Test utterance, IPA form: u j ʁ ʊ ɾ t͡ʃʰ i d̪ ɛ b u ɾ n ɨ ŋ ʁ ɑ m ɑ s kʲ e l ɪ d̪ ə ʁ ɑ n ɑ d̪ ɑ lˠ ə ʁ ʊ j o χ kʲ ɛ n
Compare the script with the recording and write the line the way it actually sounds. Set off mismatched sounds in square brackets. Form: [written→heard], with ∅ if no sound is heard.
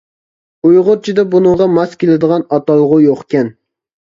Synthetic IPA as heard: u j ʁ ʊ ɾ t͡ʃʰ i d̪ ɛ b u [ɾ→∅] n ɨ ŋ ʁ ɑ m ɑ s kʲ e l ɪ d̪ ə ʁ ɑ n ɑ [d̪→t̪] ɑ lˠ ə ʁ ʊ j o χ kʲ ɛ n